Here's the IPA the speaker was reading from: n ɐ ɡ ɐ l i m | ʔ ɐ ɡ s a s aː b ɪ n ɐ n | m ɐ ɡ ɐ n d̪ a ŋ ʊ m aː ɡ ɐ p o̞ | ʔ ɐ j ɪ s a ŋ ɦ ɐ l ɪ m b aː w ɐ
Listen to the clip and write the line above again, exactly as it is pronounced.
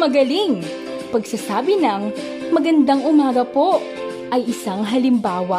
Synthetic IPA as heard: m ɐ ɡ ɐ l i ŋ | p ɐ ɡ s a s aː b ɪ n ɐ ŋ | m ɐ ɡ ɐ n d̪ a ŋ ʊ m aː ɡ ɐ p o̞ | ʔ ɐ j ɪ s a ŋ ɦ ɐ l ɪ m b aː w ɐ